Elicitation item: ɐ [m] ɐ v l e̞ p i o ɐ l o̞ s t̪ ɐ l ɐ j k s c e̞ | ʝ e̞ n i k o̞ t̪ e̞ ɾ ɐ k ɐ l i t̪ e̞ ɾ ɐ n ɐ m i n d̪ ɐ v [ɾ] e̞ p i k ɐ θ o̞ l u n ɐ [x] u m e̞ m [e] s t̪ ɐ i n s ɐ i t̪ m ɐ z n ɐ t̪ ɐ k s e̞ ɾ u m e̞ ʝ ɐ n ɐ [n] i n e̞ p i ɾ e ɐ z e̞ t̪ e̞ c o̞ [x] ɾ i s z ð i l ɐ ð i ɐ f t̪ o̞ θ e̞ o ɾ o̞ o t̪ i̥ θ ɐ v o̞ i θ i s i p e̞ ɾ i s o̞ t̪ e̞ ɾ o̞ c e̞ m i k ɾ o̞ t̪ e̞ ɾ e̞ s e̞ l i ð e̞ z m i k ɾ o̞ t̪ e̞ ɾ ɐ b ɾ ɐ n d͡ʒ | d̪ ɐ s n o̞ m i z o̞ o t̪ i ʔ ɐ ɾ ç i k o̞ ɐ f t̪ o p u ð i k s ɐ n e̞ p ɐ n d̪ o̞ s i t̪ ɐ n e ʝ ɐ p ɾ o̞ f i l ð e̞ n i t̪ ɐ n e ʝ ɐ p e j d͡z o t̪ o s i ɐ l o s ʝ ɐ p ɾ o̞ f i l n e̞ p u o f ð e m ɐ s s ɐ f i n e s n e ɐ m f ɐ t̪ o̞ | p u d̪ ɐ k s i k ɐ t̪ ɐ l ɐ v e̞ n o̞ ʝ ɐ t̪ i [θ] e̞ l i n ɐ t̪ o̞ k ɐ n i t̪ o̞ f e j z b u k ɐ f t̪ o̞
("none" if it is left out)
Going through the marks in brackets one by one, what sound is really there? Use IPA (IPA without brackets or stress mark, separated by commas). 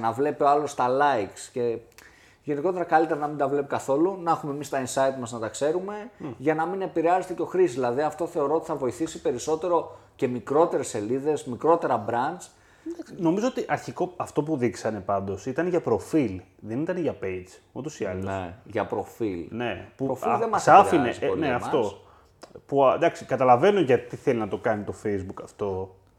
n, l, x, i, m, x, θ